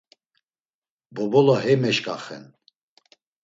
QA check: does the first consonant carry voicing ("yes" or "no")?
yes